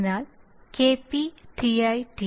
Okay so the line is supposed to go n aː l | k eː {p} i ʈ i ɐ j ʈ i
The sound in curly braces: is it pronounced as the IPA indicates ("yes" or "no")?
yes